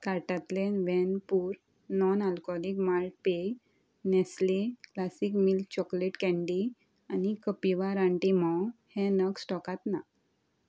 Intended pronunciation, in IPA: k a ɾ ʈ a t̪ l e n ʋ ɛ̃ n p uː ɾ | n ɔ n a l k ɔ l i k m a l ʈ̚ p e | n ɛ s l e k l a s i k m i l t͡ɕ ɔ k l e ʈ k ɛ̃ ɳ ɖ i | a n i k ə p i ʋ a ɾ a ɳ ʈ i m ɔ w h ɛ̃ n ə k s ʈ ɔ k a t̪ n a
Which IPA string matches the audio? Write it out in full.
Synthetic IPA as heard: k a ɾ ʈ a t̪ l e n ʋ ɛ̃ n p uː ɾ | n ɔ n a l k ɔ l i k m a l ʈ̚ p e | n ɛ s l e k l a s i k m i l t͡ɕ ɔ k l e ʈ k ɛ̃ ɳ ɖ i | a n i k ə p i ʋ a ɾ a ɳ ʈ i m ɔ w h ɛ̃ n ə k s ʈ ɔ k a t̪ n a